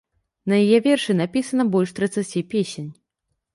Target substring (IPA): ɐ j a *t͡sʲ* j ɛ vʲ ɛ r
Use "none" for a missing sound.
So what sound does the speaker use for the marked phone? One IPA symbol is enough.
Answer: none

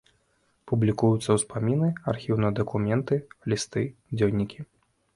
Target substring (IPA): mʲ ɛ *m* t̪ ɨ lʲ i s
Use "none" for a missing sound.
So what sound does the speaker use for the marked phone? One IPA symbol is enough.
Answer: n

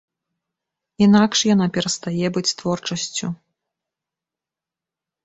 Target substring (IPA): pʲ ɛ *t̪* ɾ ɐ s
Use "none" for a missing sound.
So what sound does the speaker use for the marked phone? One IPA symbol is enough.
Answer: none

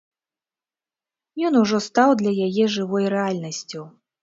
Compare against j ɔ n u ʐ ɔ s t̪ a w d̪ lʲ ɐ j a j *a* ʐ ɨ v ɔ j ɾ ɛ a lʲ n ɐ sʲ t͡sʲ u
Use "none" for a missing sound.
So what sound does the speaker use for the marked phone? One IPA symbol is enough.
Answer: ɛ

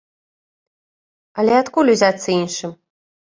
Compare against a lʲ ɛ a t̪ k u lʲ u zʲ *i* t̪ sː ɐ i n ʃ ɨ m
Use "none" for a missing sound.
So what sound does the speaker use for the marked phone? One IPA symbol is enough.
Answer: a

